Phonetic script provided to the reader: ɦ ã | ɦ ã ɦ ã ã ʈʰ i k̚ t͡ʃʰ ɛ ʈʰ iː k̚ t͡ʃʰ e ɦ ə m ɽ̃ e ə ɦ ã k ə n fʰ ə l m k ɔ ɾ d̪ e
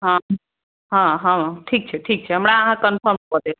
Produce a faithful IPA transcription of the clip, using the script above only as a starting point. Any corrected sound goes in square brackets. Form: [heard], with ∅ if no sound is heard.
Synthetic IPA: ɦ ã | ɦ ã ɦ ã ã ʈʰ i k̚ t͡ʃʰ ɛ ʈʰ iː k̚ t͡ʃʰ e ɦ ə m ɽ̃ [a] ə ɦ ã k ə n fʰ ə [ɾ] m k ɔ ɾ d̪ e